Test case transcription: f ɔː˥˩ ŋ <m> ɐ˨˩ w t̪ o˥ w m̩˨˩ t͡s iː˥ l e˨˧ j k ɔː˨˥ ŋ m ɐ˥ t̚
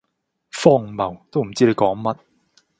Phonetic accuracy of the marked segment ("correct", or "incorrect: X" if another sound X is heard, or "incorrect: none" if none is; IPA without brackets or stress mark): correct